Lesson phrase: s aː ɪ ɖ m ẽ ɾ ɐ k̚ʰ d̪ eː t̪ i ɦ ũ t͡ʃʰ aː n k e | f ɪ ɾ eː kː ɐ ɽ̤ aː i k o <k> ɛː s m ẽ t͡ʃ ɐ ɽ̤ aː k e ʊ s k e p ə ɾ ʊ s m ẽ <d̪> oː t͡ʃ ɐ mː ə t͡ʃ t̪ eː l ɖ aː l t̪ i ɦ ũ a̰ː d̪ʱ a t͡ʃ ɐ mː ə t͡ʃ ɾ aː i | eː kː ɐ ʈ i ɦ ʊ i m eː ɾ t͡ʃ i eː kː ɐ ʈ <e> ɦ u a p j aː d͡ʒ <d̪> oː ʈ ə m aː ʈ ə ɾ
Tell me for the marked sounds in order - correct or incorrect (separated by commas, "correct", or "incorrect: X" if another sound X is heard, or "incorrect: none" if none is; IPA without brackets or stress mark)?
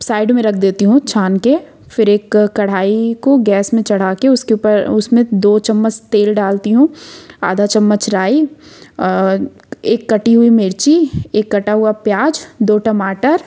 incorrect: ɡ, correct, incorrect: a, correct